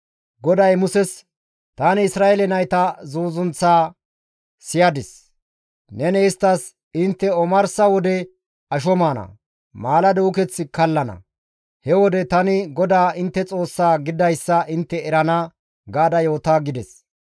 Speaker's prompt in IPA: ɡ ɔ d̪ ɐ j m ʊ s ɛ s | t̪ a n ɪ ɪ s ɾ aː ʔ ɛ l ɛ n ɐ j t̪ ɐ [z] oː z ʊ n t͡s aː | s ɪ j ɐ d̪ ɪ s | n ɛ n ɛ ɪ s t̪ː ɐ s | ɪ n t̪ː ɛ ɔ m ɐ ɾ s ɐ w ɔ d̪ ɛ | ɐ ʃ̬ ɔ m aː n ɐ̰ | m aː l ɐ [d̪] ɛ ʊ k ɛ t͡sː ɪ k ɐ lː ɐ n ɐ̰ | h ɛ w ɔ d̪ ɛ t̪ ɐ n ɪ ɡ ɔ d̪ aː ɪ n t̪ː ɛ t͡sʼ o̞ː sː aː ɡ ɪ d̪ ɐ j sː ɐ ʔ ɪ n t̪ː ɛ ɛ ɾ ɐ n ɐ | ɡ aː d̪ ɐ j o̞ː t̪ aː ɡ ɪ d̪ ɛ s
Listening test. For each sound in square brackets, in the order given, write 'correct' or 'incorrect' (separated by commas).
correct, correct